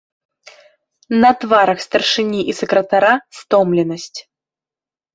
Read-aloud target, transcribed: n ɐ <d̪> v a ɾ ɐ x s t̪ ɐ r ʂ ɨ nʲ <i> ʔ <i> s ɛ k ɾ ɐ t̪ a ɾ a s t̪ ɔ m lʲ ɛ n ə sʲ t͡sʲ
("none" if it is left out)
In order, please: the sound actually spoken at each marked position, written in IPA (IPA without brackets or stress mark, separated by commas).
t̪, i, i